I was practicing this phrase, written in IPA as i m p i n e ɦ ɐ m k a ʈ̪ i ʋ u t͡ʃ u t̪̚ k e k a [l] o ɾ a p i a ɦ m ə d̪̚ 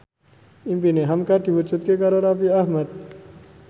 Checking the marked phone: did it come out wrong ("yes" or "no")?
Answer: yes